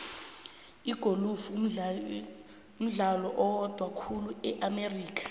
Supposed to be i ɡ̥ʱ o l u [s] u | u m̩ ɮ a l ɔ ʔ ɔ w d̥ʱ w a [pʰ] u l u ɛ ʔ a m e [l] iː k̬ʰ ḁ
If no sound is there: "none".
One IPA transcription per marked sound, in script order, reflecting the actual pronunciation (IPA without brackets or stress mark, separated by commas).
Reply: f, kʰ, r